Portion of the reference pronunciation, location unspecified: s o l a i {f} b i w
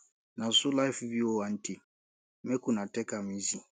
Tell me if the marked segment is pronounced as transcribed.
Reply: yes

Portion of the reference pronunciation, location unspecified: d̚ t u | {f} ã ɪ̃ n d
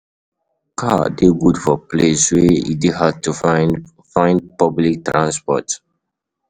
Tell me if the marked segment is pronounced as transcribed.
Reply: yes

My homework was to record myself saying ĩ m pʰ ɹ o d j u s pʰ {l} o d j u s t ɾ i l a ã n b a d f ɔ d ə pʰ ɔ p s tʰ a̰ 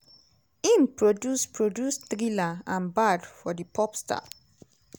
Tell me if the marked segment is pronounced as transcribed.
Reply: no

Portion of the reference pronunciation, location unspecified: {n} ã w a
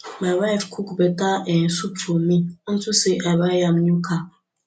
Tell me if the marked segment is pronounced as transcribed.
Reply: no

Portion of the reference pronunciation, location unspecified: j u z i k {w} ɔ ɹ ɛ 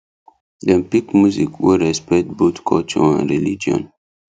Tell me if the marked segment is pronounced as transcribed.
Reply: yes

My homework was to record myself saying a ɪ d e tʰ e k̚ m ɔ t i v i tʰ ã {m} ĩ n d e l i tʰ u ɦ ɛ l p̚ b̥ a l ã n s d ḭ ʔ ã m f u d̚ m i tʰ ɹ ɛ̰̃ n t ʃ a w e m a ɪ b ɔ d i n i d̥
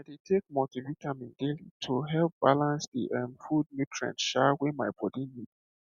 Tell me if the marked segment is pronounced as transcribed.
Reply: yes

